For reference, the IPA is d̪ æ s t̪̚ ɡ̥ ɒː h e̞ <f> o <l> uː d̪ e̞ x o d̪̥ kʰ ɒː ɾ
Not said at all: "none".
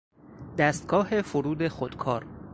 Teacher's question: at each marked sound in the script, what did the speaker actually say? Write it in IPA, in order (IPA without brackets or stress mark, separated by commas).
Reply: f, ɾ